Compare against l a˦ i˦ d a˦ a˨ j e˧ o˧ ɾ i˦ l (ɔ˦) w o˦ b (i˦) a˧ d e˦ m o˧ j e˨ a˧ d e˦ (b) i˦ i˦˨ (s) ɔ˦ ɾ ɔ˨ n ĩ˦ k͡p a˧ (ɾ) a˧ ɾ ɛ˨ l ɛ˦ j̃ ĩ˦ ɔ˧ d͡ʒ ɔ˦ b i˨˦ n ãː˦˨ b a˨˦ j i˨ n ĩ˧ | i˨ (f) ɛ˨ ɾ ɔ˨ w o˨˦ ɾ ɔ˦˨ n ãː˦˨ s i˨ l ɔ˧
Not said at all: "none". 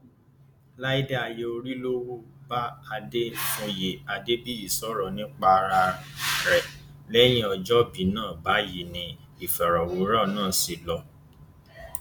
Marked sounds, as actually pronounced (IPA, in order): o˦, a˦, b, s, ɾ, f

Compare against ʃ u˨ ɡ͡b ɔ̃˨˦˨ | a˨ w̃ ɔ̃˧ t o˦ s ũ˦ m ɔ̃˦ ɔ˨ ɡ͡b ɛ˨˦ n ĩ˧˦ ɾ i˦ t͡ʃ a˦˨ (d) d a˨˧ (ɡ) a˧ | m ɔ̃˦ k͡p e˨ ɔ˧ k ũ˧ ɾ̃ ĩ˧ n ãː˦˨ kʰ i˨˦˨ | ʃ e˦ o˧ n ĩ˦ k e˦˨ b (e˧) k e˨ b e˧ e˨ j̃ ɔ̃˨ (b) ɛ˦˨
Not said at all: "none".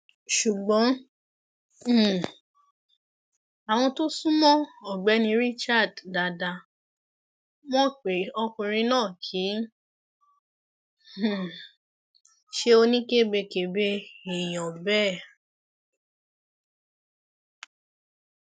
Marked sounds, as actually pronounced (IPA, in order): d, d, e˧, b

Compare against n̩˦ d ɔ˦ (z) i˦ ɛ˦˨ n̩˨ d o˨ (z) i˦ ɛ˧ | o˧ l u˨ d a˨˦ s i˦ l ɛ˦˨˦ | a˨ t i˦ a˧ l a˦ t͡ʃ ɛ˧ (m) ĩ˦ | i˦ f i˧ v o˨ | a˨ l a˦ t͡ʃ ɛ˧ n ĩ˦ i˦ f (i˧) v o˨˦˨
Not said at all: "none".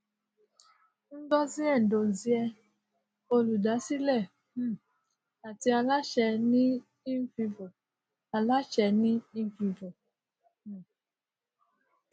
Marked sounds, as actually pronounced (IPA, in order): z, z, n, i˧

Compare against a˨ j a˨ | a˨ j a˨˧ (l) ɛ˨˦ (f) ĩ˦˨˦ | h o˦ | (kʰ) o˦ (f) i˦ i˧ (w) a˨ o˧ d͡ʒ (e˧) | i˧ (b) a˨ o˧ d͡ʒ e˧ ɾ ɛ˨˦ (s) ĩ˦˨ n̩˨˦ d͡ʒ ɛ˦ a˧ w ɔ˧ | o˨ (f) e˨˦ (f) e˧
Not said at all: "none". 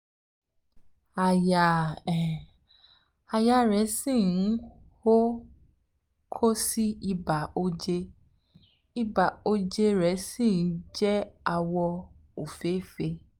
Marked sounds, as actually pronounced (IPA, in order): ɾ, s, kʰ, s, b, e˧, b, s, f, f

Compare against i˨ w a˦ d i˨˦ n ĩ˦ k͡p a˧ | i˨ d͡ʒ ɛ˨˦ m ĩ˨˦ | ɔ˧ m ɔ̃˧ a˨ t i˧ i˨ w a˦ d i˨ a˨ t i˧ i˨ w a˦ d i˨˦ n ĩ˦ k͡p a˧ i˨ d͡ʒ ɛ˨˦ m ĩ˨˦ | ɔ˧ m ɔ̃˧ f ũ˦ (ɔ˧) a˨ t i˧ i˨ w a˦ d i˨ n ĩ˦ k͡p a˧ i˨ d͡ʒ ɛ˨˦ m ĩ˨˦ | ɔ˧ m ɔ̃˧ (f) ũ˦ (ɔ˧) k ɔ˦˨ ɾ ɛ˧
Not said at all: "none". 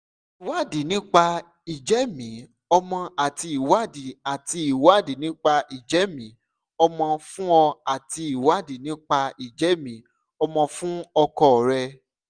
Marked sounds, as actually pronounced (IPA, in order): ɔ˧, f, ɔ˧

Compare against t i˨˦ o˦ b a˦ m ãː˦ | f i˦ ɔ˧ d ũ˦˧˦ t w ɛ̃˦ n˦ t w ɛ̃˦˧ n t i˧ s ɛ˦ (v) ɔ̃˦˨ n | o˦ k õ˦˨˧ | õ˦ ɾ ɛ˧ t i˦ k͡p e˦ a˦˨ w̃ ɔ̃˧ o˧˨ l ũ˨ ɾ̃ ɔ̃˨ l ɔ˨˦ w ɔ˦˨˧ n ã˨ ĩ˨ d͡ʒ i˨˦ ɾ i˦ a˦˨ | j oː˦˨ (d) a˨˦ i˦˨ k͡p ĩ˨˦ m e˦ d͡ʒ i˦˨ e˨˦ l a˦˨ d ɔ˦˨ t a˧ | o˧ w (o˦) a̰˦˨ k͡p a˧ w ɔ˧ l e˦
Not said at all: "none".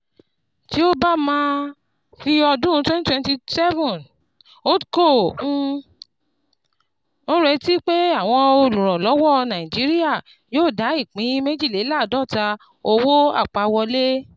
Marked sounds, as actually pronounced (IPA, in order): v, d, o˦

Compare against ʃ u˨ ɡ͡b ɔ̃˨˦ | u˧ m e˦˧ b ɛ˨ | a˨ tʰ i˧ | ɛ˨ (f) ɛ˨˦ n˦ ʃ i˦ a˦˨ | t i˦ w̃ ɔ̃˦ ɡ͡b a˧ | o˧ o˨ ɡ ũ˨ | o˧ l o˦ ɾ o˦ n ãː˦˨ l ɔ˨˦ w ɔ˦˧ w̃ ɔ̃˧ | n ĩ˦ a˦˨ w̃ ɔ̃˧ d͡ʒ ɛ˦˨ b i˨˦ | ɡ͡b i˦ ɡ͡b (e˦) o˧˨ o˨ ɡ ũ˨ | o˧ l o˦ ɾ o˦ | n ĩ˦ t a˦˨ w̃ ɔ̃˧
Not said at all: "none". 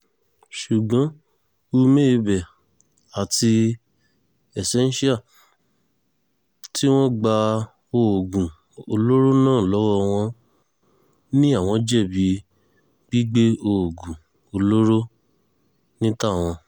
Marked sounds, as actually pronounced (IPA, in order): s, e˦

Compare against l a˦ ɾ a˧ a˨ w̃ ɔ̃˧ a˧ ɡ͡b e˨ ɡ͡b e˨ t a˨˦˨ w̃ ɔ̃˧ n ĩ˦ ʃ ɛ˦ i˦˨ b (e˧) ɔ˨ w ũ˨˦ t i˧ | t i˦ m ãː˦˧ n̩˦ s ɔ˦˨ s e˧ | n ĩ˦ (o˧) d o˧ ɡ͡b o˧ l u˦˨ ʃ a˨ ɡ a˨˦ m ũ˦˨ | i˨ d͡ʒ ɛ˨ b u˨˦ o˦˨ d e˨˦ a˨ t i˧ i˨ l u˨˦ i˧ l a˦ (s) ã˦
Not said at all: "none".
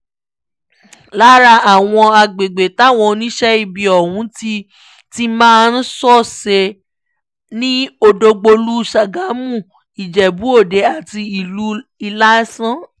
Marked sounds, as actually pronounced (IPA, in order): i˧, o˧, s

